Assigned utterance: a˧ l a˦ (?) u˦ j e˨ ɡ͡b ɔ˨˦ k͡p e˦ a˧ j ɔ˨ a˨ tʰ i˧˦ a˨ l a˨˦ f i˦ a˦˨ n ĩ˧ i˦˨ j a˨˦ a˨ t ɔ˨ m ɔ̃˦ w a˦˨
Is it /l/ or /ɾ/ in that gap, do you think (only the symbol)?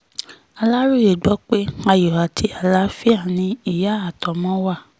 ɾ